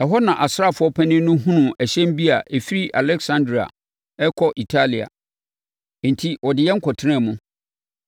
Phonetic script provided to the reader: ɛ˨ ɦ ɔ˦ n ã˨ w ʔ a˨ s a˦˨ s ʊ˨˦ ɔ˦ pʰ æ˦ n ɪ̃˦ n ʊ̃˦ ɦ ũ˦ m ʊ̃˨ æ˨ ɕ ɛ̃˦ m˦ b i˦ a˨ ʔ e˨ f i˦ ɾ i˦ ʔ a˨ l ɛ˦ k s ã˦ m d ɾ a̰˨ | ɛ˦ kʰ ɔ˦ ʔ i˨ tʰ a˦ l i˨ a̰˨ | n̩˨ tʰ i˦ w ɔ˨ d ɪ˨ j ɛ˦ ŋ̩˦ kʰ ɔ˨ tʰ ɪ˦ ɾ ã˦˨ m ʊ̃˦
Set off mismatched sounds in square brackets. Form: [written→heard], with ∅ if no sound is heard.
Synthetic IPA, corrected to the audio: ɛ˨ ɦ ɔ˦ n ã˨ [w→∅] ʔ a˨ s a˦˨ [s→f] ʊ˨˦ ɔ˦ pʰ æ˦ n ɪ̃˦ n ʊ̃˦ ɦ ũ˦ [m→n] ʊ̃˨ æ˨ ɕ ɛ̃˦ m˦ b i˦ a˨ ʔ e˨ f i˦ ɾ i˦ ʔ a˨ l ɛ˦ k s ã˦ [m→n] d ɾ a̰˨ | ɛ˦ kʰ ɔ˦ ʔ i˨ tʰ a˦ l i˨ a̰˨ | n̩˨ tʰ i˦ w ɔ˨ d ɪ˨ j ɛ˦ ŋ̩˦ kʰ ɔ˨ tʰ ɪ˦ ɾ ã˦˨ m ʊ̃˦